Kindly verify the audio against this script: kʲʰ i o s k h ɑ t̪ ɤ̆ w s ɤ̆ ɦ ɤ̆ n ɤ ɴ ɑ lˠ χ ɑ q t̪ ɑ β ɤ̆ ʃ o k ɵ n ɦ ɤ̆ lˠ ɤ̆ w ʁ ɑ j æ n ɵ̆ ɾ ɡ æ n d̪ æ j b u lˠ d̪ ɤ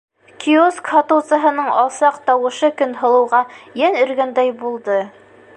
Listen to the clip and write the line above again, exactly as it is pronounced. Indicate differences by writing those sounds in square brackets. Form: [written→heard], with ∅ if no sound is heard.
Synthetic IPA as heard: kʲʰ i o s k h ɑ t̪ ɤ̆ w s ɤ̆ ɦ ɤ̆ n ɤ ɴ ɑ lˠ [χ→s] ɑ q t̪ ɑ [β→w] ɤ̆ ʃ [o→ɤ] k ɵ n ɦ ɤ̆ lˠ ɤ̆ w ʁ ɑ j æ n ɵ̆ ɾ ɡ æ n d̪ æ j b u lˠ d̪ ɤ